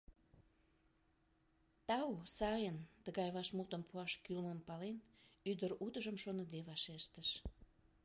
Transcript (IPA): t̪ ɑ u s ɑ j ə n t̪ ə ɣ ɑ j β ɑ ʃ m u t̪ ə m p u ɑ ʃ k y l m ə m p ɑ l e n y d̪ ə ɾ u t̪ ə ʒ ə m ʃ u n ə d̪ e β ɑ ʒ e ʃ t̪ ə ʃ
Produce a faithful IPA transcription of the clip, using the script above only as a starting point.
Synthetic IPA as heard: t̪ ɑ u s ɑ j ə n t̪ ə ɣ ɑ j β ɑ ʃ m u t̪ ə m p u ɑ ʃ k y l m ə m p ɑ l e n y d̪ ə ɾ u t̪ ə ʒ ə m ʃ o n ə d̪ e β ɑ ʃ e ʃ t̪ ə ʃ